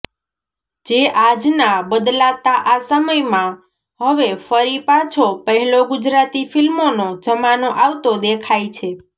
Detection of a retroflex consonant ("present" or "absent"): absent